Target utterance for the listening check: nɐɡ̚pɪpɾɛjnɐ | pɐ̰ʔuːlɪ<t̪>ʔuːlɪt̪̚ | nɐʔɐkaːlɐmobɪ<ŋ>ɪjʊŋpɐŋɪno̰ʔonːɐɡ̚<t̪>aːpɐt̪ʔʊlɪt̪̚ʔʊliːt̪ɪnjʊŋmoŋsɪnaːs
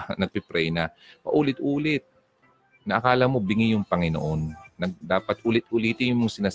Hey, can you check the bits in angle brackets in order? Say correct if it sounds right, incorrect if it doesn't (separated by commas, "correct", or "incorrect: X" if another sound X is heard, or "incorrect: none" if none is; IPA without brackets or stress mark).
correct, correct, incorrect: d̪